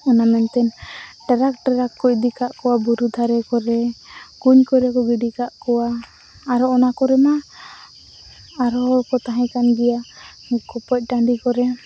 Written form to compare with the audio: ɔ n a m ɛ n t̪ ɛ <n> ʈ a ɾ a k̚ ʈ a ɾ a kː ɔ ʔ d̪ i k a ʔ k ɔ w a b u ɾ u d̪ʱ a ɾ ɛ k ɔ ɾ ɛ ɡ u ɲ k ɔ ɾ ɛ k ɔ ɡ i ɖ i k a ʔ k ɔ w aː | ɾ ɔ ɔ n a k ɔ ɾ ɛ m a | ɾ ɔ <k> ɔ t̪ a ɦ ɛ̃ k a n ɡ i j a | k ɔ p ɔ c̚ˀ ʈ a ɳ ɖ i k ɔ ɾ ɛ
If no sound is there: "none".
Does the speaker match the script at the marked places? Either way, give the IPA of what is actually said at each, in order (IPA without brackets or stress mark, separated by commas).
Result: n, k